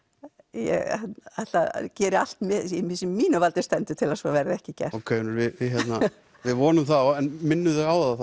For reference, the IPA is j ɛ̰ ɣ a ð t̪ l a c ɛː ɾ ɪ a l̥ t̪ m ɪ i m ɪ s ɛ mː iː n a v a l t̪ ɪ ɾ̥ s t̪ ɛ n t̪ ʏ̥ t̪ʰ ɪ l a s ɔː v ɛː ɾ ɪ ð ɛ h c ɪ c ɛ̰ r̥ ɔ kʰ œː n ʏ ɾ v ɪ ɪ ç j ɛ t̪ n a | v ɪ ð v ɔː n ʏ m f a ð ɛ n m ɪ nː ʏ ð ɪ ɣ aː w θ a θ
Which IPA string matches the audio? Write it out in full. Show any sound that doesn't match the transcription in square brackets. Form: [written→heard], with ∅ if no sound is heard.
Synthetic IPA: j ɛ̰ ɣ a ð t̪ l a c ɛː ɾ ɪ a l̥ t̪ m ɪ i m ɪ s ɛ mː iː n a v a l t̪ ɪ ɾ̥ s t̪ ɛ n t̪ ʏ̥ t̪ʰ ɪ l a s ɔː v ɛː ɾ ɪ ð ɛ h c ɪ c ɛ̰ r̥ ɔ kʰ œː n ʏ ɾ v ɪ ɪ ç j ɛ t̪ n a | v ɪ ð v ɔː n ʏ m [f→θ] a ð ɛ n m ɪ nː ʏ ð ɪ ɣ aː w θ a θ